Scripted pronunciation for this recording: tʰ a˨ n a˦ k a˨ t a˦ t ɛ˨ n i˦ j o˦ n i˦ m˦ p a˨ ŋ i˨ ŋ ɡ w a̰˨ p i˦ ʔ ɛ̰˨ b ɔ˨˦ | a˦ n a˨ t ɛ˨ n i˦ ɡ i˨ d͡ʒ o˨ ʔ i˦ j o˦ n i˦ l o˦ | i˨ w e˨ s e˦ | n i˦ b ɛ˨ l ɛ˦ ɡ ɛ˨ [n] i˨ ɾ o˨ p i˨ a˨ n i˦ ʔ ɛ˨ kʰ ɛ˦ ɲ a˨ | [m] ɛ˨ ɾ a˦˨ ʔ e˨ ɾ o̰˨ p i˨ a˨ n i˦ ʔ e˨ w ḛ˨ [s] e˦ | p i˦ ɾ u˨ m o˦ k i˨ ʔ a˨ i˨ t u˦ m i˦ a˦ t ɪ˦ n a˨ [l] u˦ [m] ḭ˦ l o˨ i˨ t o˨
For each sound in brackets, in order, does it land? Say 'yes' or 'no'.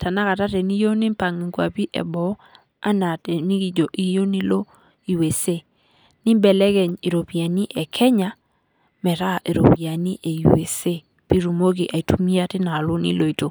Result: no, yes, yes, yes, no

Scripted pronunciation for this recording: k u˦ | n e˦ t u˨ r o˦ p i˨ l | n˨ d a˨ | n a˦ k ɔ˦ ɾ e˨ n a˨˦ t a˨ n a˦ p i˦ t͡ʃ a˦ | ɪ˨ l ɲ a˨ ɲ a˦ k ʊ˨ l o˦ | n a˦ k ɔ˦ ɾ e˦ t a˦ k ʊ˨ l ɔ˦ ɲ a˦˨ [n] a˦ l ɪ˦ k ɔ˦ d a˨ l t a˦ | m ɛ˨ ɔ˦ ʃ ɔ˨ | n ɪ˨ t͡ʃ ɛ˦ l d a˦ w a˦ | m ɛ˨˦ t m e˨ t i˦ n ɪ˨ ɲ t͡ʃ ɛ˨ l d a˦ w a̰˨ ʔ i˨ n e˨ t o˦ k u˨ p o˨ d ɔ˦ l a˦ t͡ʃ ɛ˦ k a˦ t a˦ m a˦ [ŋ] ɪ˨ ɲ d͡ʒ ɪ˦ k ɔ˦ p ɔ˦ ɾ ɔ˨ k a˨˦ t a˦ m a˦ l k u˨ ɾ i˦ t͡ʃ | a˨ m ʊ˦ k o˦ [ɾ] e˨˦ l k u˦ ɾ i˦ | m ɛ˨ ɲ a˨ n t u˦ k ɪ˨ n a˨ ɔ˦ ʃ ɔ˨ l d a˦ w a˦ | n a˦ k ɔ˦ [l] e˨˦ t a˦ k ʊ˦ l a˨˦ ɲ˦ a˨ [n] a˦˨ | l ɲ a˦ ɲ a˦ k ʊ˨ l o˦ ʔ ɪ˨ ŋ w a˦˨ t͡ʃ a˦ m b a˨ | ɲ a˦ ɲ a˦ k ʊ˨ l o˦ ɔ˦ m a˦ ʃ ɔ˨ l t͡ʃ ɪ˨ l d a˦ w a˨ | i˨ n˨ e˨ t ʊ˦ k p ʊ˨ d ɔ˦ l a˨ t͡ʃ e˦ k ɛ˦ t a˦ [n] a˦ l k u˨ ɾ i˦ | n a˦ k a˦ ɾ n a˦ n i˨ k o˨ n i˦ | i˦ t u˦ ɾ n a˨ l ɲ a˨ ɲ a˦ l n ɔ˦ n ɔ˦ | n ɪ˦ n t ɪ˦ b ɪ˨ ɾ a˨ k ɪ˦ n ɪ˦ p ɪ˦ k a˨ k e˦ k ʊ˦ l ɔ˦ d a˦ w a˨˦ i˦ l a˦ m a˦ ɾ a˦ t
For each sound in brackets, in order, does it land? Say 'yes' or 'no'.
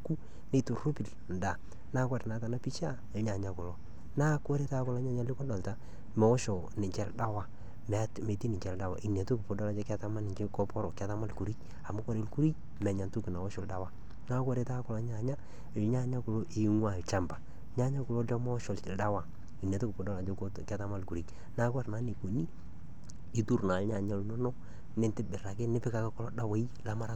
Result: no, no, yes, no, no, no

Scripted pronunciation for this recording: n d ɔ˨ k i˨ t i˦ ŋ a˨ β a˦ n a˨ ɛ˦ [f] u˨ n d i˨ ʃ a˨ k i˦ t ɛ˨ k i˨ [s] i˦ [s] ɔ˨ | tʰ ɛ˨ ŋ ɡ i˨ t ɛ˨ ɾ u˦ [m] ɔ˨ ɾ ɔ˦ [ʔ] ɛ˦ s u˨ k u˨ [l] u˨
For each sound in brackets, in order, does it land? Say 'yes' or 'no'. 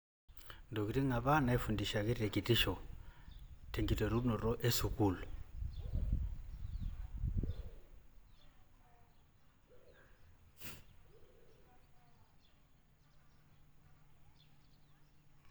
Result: yes, no, no, no, yes, yes

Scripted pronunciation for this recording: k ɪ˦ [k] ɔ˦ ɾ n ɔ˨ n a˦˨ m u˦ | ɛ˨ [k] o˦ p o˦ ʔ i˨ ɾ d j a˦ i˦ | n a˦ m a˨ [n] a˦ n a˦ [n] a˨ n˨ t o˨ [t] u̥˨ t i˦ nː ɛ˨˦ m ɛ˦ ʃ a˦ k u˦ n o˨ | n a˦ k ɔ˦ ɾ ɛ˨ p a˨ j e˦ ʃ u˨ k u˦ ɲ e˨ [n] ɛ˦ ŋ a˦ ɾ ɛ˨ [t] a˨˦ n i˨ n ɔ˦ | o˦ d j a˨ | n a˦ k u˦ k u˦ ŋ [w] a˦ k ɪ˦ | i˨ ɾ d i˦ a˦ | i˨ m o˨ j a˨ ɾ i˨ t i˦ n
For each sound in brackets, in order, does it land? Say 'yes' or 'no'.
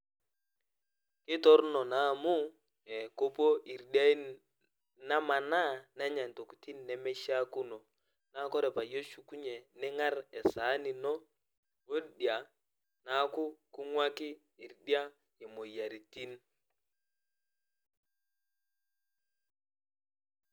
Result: no, yes, yes, no, no, yes, no, yes

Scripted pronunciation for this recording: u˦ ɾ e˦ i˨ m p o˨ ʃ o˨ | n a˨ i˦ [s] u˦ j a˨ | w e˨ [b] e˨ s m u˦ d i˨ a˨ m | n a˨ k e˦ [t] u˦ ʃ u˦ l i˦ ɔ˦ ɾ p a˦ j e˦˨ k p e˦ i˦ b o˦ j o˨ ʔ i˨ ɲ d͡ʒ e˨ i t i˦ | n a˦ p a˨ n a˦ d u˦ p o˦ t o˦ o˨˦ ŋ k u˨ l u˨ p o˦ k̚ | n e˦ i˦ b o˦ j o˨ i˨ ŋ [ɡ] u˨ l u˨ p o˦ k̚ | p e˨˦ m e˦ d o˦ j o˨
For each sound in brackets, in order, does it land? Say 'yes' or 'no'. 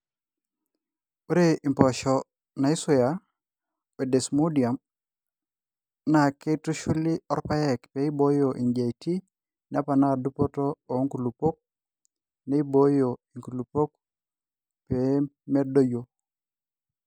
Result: yes, no, yes, no

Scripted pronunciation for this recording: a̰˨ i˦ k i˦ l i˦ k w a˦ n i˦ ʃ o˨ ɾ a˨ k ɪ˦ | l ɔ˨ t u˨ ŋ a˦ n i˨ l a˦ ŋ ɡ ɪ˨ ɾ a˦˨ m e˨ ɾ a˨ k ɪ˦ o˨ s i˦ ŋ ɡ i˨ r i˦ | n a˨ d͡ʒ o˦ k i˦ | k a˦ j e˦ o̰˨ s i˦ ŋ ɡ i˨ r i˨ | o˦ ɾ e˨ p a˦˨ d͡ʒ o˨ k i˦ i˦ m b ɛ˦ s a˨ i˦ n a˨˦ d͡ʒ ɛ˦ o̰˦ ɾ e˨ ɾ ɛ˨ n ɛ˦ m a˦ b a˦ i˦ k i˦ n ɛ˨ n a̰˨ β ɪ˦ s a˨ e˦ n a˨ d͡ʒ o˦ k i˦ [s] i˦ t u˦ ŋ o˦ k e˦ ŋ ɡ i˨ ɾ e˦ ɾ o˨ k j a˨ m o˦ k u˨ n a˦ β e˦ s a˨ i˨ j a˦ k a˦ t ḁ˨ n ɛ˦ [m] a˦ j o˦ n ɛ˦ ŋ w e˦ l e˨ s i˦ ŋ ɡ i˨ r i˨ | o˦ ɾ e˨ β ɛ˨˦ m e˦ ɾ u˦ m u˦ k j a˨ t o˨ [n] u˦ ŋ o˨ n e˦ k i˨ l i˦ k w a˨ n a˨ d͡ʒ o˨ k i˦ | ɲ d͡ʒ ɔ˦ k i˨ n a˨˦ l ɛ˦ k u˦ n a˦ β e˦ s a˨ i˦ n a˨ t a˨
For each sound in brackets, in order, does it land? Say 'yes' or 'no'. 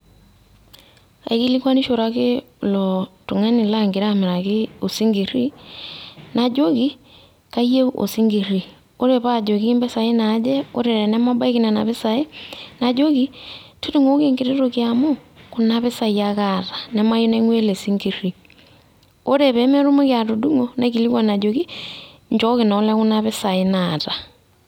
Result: no, yes, no

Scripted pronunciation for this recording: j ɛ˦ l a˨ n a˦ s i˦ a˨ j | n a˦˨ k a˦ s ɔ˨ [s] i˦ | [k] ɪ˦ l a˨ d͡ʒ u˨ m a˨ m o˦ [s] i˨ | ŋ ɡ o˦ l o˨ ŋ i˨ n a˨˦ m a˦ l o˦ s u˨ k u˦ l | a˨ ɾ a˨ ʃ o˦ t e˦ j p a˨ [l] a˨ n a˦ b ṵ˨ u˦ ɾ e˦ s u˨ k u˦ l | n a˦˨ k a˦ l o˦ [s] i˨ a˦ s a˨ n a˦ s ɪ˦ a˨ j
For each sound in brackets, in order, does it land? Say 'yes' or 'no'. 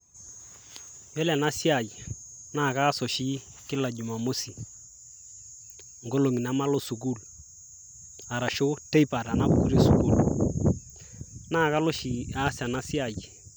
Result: no, yes, yes, no, no

